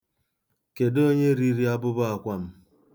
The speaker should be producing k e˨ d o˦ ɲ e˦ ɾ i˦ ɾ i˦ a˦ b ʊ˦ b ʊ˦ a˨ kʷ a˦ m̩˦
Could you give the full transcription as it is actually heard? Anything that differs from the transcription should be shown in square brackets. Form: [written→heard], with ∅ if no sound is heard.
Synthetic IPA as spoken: k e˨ d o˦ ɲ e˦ ɾ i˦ ɾ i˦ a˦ b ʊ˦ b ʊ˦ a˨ kʷ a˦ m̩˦